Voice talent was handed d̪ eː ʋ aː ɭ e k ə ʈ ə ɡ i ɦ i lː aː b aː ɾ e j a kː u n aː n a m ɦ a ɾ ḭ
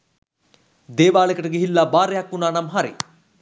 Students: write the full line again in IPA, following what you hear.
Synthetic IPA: d̪ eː ʋ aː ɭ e k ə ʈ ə ɡ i ɦ i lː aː b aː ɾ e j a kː u n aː n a m ɦ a ɾ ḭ